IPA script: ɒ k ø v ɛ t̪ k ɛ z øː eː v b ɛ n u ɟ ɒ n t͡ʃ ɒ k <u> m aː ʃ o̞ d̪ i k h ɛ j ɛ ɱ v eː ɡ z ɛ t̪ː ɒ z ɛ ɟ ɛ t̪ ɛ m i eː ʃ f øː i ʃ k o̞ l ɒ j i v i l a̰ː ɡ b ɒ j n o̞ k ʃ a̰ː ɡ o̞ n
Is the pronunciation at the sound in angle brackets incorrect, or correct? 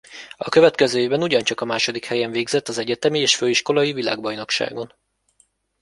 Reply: incorrect: ɒ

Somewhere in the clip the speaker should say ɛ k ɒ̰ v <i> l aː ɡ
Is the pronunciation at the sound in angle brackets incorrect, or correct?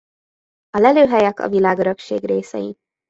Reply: correct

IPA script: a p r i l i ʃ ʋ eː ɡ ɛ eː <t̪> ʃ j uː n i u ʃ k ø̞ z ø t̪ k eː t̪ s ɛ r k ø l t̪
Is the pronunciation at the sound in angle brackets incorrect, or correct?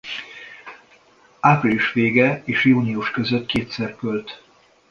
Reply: incorrect: none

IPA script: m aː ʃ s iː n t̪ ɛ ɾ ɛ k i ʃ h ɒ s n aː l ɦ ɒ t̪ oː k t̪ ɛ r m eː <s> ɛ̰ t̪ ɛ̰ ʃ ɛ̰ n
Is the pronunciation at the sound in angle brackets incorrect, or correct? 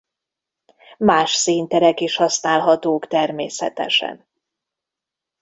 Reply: correct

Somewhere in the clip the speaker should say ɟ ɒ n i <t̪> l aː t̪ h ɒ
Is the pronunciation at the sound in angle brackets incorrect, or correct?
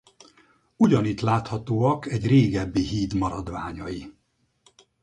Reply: correct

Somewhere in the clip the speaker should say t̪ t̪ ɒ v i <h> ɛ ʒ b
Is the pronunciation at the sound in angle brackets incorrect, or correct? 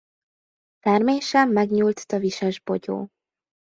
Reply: incorrect: ʃ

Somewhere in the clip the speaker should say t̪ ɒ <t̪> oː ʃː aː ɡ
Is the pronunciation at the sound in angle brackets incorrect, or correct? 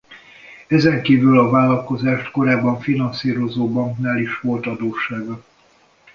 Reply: incorrect: d̪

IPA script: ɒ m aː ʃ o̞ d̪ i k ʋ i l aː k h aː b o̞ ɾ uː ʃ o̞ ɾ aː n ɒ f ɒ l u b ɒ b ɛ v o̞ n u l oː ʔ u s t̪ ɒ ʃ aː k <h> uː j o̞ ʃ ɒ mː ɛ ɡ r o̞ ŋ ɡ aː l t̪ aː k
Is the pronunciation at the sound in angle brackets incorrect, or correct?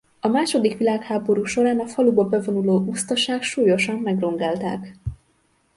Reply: incorrect: ʃ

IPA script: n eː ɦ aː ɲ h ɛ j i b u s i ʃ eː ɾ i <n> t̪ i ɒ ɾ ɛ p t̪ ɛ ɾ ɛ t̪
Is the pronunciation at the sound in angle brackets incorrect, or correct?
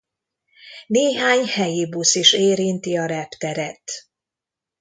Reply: correct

